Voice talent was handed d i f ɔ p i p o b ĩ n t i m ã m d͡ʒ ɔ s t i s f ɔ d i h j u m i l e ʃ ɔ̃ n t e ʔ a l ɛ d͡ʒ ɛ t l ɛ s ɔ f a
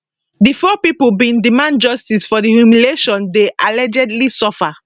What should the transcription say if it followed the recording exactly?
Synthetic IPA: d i f ɔ p i p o b ĩ n d i m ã n d͡ʒ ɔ s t i s f ɔ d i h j u m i l e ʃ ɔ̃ n d e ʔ a l ɛ d͡ʒ ɛ d l i s ɔ f a